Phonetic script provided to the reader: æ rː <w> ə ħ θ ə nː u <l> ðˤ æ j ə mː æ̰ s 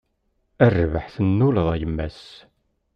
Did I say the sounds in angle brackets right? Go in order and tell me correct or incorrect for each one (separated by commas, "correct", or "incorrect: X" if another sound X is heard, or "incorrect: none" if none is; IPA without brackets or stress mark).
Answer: incorrect: v, correct